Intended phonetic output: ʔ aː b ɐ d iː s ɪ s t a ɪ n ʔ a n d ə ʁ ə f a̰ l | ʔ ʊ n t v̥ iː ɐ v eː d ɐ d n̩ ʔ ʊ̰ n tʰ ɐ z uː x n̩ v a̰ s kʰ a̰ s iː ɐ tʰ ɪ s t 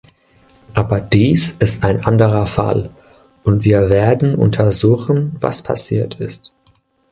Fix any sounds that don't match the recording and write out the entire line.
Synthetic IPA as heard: ʔ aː b ɐ d iː s ɪ s t a ɪ n ʔ a n d ə ʁ ɐ f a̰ l | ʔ ʊ n t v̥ iː ɐ v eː ɐ d n̩ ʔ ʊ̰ n tʰ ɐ z uː x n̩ v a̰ s pʰ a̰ s iː ɐ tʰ ɪ s t